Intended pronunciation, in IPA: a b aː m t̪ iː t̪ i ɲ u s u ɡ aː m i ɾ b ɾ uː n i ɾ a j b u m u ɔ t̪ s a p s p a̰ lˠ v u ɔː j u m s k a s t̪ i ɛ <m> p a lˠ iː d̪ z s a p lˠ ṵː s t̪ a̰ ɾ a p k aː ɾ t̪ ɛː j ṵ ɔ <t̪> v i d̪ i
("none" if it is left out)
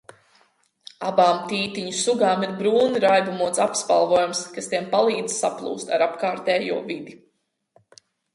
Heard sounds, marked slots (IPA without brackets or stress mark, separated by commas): m, none